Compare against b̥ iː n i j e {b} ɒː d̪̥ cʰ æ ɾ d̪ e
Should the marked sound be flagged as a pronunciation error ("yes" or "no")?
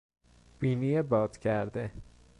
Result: no